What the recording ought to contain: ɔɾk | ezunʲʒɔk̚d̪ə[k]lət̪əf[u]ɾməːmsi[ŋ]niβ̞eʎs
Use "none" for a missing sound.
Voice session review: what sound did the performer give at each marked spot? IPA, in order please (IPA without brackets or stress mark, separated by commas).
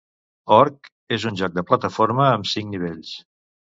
p, o, ŋ